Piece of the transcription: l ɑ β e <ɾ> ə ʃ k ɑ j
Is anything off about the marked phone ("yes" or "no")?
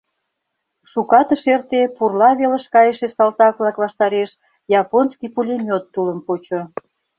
yes